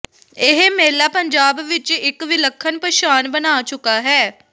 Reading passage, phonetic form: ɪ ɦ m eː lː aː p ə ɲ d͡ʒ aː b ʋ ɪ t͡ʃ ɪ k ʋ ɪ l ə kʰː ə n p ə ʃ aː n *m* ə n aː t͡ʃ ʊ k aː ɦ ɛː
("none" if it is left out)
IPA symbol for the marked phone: b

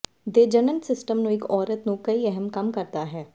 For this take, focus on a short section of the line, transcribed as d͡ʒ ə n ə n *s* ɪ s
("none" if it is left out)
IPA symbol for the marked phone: s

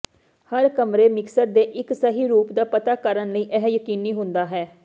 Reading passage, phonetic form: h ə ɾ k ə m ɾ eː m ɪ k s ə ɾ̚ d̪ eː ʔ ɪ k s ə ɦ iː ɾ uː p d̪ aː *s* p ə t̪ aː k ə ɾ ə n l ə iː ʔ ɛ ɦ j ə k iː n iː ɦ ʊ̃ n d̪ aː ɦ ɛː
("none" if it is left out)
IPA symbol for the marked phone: none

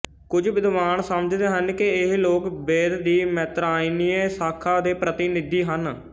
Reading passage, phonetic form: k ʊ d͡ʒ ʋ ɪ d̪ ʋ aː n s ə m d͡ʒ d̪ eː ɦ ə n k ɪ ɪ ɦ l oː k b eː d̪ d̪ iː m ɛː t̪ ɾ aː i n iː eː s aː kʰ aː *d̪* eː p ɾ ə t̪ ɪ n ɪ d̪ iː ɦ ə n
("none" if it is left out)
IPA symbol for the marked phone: d̪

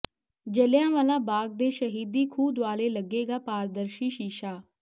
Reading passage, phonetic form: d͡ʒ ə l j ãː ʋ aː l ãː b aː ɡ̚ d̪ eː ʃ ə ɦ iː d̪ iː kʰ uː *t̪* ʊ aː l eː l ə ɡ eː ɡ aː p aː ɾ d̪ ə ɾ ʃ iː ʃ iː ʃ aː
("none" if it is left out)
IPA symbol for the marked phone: d̪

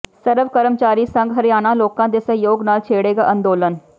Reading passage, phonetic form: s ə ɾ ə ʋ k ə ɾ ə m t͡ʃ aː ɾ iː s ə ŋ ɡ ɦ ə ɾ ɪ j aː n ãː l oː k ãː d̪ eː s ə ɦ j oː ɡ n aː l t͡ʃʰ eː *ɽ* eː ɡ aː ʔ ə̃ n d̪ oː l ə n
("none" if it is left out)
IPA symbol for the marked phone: ɽ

